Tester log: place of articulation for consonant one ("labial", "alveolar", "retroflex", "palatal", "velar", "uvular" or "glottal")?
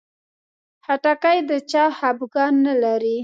glottal